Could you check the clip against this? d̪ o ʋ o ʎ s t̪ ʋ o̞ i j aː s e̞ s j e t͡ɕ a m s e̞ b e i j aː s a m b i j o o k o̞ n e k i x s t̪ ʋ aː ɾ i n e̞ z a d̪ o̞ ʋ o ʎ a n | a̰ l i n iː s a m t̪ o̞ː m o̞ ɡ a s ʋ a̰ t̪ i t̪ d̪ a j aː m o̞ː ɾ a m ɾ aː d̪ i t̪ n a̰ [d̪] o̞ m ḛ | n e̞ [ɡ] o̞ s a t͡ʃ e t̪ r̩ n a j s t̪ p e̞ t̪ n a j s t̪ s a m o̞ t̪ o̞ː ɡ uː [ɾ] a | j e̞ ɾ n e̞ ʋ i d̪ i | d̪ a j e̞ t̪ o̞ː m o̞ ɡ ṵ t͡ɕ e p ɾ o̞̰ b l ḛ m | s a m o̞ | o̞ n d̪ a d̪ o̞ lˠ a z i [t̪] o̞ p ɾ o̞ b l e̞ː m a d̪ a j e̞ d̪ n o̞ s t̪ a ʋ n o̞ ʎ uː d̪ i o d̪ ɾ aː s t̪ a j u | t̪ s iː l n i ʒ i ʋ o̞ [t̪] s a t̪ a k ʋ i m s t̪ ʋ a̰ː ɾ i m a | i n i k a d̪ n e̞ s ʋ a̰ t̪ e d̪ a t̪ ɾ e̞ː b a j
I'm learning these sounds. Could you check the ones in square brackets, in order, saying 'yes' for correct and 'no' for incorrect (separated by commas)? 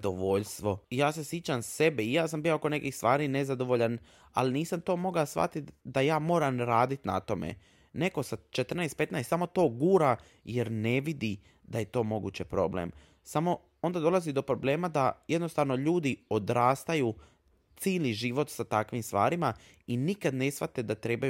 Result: no, no, yes, no, yes